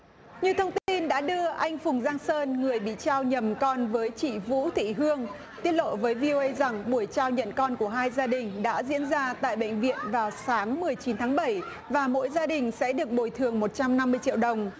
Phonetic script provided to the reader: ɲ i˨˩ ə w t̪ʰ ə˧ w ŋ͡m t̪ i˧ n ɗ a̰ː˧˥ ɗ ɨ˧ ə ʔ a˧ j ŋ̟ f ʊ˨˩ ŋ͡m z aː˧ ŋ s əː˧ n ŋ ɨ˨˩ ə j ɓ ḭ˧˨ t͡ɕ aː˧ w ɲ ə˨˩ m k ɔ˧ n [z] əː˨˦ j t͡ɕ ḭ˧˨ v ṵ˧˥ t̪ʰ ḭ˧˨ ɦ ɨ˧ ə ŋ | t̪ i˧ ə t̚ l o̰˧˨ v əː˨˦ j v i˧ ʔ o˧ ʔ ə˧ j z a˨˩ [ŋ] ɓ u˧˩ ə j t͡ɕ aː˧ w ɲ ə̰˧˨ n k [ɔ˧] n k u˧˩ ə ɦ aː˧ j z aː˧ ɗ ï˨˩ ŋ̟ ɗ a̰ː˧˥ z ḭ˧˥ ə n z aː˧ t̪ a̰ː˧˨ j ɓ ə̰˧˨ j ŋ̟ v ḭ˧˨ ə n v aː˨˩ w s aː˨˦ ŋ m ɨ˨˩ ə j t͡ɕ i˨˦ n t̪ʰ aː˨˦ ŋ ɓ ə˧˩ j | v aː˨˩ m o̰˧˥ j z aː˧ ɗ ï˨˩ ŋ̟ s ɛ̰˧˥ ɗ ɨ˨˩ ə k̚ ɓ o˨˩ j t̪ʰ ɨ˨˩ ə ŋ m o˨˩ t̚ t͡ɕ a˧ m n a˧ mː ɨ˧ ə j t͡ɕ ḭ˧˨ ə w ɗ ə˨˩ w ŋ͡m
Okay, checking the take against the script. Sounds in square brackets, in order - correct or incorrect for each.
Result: incorrect, correct, correct

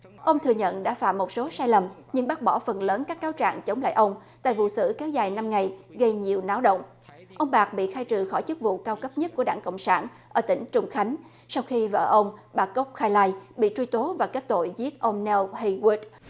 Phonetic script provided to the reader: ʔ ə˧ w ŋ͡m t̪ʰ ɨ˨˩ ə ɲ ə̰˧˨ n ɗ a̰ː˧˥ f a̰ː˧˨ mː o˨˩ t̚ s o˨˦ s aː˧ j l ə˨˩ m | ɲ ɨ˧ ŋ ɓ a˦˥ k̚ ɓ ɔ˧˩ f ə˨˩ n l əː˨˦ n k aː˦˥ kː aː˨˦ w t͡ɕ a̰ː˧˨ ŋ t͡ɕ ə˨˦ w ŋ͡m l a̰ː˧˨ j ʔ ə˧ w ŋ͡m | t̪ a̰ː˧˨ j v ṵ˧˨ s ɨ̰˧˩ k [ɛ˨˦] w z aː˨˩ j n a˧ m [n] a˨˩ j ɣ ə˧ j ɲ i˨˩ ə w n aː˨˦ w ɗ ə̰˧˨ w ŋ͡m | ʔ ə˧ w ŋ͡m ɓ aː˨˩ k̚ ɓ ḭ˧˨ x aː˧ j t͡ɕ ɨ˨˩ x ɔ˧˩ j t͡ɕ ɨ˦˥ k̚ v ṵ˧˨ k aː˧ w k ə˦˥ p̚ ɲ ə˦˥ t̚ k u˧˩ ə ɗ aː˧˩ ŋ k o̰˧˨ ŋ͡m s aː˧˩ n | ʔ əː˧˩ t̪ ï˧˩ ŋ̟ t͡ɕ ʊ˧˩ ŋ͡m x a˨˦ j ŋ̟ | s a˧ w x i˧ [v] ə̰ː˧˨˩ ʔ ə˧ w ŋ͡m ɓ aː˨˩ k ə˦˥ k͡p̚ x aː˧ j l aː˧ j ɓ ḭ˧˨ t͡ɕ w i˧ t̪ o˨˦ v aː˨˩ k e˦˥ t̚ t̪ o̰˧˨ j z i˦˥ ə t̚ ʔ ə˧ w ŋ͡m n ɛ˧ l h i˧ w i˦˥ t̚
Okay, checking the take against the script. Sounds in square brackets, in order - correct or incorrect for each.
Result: correct, incorrect, correct

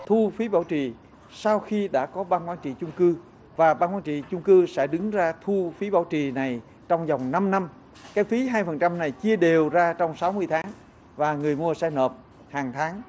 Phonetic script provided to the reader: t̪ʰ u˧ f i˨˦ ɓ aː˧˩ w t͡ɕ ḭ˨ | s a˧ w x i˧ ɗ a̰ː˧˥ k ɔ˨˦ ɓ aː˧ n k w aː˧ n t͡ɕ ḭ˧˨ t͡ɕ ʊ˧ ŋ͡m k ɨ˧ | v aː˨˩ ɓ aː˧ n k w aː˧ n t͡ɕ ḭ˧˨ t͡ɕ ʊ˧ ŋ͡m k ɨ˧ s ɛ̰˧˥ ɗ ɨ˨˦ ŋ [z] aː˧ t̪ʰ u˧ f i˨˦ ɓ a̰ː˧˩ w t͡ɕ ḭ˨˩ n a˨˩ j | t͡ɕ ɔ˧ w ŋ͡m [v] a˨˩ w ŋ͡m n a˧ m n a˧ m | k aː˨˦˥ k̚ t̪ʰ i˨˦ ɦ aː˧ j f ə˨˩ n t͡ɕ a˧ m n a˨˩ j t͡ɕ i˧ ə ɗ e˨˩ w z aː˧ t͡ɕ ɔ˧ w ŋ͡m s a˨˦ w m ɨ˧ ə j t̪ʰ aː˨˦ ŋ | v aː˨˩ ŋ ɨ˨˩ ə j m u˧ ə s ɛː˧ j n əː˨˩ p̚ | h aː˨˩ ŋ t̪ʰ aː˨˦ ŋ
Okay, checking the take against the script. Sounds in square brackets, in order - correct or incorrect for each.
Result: correct, incorrect

